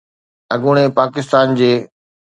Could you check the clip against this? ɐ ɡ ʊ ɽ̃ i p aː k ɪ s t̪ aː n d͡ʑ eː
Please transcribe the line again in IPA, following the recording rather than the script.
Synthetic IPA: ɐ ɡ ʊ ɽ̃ e p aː k ɪ s t̪ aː n d͡ʑ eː